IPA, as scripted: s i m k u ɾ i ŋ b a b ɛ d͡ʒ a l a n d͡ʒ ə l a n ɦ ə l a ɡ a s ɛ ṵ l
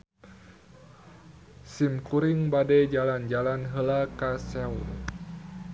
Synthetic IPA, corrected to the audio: s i m k u ɾ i ŋ b a d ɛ d͡ʒ a l a n d͡ʒ a l a n ɦ ə l a k a s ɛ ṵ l